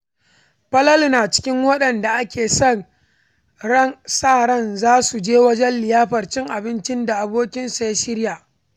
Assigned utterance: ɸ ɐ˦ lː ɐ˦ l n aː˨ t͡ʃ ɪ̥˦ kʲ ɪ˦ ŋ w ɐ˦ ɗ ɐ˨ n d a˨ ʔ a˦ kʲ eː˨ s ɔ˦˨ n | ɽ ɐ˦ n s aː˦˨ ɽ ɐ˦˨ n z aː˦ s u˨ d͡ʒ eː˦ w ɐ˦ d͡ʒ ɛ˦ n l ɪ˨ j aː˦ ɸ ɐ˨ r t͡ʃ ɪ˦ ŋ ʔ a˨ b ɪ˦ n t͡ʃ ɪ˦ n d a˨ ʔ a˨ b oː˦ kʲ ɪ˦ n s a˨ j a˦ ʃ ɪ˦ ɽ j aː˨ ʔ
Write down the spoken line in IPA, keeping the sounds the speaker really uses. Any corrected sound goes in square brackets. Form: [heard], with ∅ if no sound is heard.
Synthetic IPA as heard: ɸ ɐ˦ [l] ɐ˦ l n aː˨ t͡ʃ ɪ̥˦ kʲ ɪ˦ ŋ w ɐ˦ ɗ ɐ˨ n d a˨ ʔ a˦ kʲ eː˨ s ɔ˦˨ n | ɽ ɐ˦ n s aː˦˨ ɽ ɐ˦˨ n z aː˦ s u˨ d͡ʒ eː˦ w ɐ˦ d͡ʒ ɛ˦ n l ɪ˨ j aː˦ ɸ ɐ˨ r t͡ʃ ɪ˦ ŋ ʔ a˨ b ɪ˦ n t͡ʃ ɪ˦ n d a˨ ʔ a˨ b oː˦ kʲ ɪ˦ n s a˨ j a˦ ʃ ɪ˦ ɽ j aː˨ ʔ